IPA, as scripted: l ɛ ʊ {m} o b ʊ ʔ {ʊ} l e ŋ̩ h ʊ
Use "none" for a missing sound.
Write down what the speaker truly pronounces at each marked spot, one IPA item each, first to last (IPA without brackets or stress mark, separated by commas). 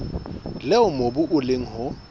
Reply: m, ʊ